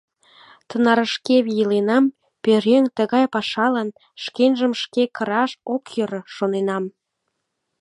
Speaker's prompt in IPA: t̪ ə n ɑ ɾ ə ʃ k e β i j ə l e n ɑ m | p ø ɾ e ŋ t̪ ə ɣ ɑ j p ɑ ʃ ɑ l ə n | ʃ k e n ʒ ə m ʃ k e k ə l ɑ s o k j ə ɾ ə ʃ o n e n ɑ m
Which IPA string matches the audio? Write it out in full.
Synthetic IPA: t̪ ə n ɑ ɾ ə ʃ k e β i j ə l e n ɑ m | p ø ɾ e ŋ t̪ ə ɣ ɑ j p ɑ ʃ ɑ l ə n | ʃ k e n ʒ ə m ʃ k e k ə ɾ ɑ ʃ o k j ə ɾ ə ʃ o n e n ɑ m